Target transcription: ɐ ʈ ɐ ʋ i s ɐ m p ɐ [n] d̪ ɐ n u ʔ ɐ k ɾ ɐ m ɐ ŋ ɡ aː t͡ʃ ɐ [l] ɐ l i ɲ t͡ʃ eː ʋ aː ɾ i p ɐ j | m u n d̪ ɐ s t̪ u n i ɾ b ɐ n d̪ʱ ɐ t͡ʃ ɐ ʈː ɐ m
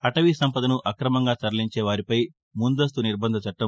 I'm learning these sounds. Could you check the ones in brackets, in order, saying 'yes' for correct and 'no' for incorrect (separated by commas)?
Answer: no, no